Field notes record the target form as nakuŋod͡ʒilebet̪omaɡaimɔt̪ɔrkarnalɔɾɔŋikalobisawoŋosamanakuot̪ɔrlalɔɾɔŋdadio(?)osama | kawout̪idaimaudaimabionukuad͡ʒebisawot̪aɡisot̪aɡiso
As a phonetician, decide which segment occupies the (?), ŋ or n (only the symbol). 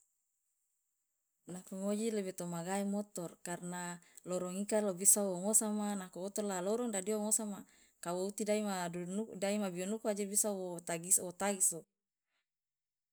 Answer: ŋ